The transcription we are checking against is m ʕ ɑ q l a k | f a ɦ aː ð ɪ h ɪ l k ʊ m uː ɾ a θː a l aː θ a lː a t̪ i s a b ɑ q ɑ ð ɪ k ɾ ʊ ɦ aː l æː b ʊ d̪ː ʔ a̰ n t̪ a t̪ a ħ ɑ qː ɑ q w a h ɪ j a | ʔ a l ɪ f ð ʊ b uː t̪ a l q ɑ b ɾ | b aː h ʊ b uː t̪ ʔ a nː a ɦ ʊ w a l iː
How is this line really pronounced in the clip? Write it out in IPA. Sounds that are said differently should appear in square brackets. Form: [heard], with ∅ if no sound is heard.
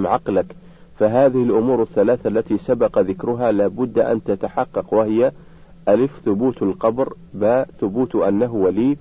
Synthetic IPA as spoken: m ʕ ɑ q l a k | f a ɦ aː ð ɪ h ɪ l [ʔ] ʊ m uː ɾ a θː a l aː θ a lː a t̪ i s a b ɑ q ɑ ð ɪ k ɾ ʊ ɦ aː l [aː] b ʊ d̪ː ʔ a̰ n t̪ a t̪ a ħ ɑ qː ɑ q w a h ɪ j a | ʔ a l ɪ f [θ] ʊ b uː t̪ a l q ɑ b ɾ | b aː [θ] ʊ b uː t̪ ʔ a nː a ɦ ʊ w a l iː